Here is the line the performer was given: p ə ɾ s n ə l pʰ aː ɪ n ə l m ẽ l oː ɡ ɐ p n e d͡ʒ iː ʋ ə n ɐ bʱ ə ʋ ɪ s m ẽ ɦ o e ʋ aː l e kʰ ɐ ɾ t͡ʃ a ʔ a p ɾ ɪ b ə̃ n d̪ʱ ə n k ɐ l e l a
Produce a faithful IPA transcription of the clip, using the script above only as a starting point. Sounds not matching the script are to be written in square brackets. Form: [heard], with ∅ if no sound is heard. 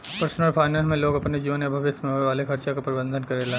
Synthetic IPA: p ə ɾ s n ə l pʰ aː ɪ n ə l m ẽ l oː ɡ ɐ p n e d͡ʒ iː ʋ ə n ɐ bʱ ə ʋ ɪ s m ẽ ɦ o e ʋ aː l e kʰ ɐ ɾ t͡ʃ a [k] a p ɾ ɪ b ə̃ n d̪ʱ ə n k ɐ [ɾ] e l a